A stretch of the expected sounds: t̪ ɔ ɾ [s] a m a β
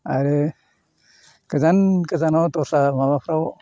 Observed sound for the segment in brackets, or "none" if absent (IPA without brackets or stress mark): s